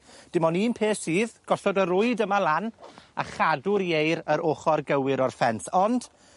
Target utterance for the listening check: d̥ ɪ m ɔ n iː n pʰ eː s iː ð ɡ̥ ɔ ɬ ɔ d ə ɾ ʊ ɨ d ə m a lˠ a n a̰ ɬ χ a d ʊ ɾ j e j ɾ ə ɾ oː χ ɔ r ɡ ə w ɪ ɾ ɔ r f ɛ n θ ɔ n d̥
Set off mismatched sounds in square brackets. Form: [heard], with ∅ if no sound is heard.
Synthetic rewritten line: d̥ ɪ m ɔ n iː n pʰ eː s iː ð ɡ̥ ɔ ɬ ɔ d ə ɾ ʊ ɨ d ə m a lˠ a n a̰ [∅] χ a d ʊ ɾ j e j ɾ ə ɾ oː χ ɔ r ɡ ə w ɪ ɾ ɔ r f ɛ n θ ɔ n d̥